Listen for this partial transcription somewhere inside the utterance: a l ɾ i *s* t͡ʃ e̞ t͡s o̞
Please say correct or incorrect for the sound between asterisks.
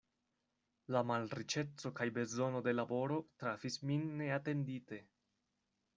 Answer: incorrect